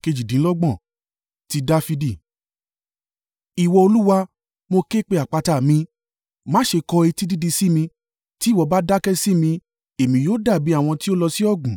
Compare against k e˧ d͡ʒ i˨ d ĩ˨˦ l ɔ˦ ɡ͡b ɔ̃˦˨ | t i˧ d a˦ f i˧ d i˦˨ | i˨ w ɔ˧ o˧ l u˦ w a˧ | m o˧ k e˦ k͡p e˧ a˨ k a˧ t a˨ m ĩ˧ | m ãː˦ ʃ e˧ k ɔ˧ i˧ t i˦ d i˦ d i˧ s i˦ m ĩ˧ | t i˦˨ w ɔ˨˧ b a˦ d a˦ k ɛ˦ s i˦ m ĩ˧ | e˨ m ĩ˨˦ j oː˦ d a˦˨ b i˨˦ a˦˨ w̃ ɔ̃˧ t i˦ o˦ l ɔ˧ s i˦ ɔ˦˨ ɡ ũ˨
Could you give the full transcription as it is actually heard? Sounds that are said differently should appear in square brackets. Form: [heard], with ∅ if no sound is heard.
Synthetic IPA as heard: k e˧ d͡ʒ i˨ d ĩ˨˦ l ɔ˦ ɡ͡b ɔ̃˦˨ | t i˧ d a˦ f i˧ d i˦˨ | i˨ w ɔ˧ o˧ l u˦ w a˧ | m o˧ k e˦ k͡p e˧ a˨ [k͡p] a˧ t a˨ m ĩ˧ | m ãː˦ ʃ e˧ k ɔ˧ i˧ t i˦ d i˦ d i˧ s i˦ m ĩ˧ | t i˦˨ w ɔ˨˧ b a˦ d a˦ k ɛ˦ s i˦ m ĩ˧ | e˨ m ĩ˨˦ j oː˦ d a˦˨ b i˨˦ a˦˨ w̃ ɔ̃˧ t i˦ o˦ l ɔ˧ s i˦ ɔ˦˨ ɡ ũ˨